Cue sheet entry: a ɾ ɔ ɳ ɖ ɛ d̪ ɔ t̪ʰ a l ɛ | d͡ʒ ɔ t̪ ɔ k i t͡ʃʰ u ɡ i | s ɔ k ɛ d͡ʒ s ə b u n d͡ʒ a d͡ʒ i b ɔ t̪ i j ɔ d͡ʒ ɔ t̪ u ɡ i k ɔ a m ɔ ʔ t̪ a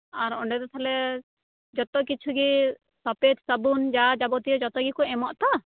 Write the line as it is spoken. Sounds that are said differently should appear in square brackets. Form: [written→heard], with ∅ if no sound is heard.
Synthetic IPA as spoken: a ɾ ɔ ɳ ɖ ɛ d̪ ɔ t̪ʰ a l ɛ | d͡ʒ ɔ t̪ ɔ k i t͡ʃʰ u ɡ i | s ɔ [k→p] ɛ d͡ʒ s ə b u n d͡ʒ a d͡ʒ [i→a] b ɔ t̪ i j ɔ d͡ʒ ɔ t̪ [u→ɔ] ɡ i k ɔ [a→ɛ] m ɔ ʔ t̪ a